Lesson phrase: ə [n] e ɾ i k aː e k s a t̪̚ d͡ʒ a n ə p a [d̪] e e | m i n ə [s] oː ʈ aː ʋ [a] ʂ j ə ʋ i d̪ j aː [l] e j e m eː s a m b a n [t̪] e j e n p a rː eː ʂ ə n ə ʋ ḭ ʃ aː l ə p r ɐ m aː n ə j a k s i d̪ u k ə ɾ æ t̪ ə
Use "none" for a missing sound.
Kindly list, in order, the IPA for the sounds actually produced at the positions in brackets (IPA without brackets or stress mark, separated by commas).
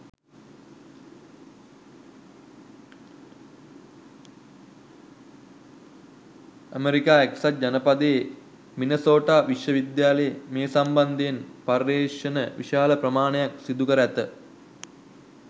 m, d̪, s, i, l, d̪